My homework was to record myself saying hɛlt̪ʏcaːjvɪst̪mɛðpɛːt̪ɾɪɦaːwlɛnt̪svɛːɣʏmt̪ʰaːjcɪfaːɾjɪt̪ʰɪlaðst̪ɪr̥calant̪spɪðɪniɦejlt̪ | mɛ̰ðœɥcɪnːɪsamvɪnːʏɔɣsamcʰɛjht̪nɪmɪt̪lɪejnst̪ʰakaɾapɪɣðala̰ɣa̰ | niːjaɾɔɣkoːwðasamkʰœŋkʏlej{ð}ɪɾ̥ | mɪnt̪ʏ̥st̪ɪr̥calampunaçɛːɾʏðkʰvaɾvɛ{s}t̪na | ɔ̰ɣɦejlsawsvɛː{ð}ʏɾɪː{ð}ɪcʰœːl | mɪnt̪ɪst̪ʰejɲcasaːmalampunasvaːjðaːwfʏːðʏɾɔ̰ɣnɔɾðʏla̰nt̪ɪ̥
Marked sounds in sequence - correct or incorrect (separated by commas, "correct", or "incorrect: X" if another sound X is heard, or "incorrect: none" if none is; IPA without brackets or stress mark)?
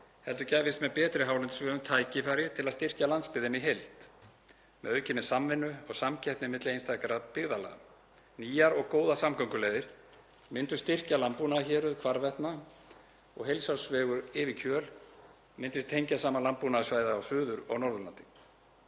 correct, incorrect: h, incorrect: ɣ, incorrect: v